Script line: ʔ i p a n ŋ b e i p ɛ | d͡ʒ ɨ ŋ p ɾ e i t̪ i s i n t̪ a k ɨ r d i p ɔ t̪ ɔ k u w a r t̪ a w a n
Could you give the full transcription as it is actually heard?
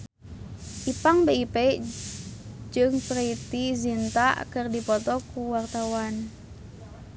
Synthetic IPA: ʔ i p a ŋ b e i p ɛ | d͡ʒ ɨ ŋ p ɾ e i t̪ i z i n t̪ a k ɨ r d i p ɔ t̪ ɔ k u w a r t̪ a w a n